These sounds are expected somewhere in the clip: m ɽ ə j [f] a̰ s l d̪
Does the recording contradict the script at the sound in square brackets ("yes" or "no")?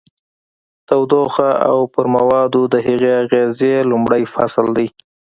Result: no